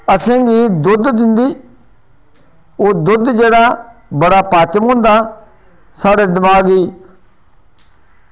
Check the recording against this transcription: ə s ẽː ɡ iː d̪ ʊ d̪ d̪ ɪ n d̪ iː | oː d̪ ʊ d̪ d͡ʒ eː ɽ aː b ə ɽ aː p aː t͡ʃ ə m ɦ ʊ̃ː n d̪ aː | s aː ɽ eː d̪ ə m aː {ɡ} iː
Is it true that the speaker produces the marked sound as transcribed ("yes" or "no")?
yes